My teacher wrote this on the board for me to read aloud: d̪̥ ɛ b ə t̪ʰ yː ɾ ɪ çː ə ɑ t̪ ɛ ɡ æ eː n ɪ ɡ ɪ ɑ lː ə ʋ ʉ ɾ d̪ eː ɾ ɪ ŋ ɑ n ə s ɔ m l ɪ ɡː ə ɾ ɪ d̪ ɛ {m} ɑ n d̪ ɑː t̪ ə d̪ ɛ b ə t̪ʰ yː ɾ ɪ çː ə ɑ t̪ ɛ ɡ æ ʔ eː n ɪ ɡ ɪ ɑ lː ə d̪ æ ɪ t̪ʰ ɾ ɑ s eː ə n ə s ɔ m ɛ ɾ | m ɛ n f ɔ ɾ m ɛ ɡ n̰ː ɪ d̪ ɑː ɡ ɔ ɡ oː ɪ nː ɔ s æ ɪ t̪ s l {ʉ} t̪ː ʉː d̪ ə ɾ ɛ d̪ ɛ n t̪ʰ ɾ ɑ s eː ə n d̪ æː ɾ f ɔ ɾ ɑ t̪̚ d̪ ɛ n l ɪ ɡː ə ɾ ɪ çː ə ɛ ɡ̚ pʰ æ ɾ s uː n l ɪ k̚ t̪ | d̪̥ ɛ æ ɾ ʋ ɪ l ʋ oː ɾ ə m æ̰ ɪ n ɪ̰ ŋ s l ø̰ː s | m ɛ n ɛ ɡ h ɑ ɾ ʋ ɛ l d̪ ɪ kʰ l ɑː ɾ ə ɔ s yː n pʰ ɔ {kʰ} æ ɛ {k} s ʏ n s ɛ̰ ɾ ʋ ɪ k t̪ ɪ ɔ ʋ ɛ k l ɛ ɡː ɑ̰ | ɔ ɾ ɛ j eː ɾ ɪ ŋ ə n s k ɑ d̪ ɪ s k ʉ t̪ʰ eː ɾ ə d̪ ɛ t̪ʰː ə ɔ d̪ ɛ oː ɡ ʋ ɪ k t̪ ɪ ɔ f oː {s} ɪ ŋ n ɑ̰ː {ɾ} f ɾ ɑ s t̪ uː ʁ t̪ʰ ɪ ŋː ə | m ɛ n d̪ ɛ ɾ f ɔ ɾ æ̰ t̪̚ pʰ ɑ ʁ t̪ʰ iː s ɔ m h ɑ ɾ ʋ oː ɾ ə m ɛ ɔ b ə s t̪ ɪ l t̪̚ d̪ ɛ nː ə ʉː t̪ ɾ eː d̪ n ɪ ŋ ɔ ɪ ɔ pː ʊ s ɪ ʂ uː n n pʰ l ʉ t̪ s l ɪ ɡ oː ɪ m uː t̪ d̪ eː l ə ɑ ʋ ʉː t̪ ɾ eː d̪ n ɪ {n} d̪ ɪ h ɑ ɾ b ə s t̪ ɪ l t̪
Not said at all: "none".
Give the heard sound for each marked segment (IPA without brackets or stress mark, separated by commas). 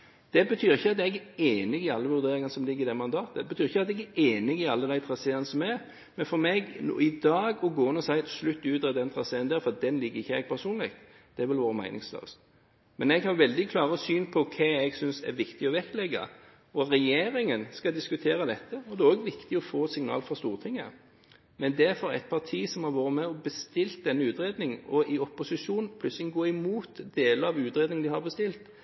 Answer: m, ʉ, kʰ, ɡ, s, l, ŋ